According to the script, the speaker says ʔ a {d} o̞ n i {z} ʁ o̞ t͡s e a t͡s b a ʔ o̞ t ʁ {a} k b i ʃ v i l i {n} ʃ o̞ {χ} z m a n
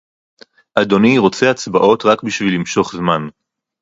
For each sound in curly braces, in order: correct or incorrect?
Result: correct, incorrect: none, correct, incorrect: m, correct

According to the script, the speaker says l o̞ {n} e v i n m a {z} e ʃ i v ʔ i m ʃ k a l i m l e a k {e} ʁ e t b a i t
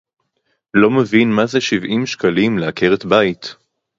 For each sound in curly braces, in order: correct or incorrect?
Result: incorrect: m, correct, correct

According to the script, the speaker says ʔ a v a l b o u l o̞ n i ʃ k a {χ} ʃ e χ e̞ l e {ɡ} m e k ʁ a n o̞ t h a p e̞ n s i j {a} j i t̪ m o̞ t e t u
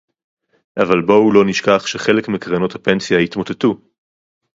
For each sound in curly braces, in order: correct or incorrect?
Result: correct, incorrect: k, correct

